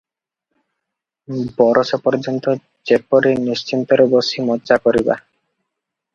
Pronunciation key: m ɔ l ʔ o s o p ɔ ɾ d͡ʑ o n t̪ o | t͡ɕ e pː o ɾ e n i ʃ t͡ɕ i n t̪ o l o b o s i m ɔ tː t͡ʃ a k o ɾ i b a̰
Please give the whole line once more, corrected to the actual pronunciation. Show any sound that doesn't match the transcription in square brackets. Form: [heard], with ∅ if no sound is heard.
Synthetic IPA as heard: [b] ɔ [ɾ] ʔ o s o p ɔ ɾ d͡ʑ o n t̪ o | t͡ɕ e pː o ɾ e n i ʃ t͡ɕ i n t̪ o [ɾ] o b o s i m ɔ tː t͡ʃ a k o ɾ i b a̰

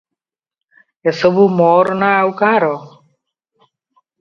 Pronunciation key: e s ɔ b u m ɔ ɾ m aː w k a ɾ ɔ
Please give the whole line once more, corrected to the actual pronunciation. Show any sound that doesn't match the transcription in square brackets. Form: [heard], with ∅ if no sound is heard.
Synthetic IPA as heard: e s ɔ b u m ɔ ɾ [n] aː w k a ɾ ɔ

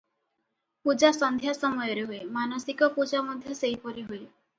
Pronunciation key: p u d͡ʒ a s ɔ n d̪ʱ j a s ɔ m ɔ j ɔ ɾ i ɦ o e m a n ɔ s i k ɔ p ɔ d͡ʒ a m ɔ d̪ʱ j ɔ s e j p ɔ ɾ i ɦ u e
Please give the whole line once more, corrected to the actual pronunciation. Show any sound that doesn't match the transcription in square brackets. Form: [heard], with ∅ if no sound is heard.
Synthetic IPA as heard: p u d͡ʒ a s ɔ n d̪ʱ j a s ɔ m ɔ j ɔ ɾ [e] ɦ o e m a n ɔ s i k ɔ p [u] d͡ʒ a m ɔ d̪ʱ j ɔ s e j p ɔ ɾ i ɦ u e

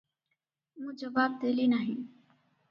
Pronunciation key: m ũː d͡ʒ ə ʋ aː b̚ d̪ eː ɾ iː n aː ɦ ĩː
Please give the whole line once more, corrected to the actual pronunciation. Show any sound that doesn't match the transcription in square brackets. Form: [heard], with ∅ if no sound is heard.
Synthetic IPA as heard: m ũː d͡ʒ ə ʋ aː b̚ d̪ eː [l] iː n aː ɦ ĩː

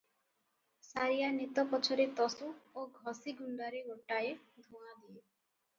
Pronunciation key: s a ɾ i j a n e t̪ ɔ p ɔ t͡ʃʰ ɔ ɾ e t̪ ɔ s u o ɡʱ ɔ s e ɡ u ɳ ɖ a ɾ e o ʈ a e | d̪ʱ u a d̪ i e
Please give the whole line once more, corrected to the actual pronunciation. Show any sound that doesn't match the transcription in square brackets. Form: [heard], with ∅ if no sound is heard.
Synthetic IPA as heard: s a ɾ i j a n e t̪ ɔ p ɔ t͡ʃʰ ɔ ɾ e t̪ ɔ s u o ɡʱ ɔ s [i] ɡ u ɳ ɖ a ɾ e o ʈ a e | d̪ʱ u a d̪ i e

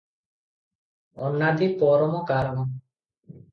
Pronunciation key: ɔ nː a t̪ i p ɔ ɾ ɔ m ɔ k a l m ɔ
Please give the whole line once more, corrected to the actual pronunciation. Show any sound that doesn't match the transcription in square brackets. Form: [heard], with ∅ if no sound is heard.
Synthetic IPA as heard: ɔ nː a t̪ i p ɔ ɾ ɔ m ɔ k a [ɾ] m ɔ

